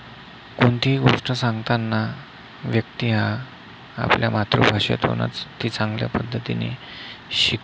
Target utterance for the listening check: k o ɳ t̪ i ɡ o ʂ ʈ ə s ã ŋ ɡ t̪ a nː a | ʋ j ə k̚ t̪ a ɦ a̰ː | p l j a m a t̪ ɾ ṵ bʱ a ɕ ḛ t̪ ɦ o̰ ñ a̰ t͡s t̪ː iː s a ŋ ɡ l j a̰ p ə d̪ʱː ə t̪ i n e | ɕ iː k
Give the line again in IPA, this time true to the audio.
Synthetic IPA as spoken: k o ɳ t̪ i ɡ o ʂ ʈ ə s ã ŋ ɡ t̪ a nː a | ʋ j ə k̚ t̪ i ɦ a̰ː | p l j a m a t̪ ɾ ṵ bʱ a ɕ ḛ t̪ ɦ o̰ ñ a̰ t͡s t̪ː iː t͡s a ŋ ɡ l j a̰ p ə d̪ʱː ə t̪ i n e | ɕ i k